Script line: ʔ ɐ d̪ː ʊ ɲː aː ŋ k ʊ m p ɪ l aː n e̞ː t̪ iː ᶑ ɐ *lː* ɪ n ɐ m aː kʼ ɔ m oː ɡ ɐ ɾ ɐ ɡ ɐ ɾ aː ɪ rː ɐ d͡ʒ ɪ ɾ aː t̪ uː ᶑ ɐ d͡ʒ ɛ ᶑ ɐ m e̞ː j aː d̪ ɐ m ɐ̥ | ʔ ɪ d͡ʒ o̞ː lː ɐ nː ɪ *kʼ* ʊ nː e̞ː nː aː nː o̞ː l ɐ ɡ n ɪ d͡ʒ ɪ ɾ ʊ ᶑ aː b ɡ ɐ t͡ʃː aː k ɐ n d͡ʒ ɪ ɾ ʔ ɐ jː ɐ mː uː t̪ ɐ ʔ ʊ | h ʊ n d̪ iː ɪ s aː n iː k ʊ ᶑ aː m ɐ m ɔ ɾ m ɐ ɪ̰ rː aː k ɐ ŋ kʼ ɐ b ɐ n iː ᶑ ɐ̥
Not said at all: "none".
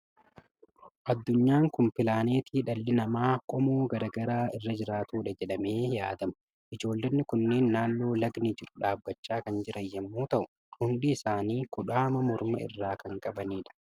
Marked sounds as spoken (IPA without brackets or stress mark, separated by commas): lː, k